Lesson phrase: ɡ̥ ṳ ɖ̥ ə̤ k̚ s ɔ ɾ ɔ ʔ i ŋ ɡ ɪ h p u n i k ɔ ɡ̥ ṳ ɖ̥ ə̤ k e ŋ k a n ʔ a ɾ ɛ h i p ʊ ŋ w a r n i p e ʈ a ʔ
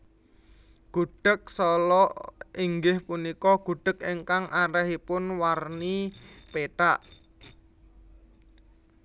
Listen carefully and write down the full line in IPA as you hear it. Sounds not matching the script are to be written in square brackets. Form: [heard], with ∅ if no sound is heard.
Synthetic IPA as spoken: ɡ̥ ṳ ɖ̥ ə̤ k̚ s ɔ [l] ɔ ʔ i ŋ ɡ ɪ h p u n i k ɔ ɡ̥ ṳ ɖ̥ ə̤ k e ŋ k a [ŋ] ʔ a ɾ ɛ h i p ʊ [n] w a r n i p e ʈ a ʔ